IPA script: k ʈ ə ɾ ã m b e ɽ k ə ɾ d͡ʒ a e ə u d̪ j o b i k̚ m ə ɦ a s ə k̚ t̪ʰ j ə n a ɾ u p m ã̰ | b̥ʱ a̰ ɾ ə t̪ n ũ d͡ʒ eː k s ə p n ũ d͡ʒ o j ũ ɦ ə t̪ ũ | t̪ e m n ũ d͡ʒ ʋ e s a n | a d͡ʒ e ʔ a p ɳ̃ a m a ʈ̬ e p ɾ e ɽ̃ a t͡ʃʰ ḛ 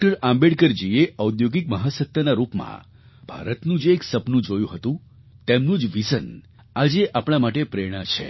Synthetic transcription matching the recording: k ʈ ə ɾ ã m b e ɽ k ə ɾ d͡ʒ i e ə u d̪ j o ɡ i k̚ m ə ɦ a s ə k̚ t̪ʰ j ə n a ɾ u p m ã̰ | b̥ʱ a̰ ɾ ə t̪ n ũ d͡ʒ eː k s ə p n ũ d͡ʒ o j ũ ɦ ə t̪ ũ | t̪ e m n ũ d͡ʒ ʋ i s ə n | a d͡ʒ e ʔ a p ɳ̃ a m a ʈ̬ e p ɾ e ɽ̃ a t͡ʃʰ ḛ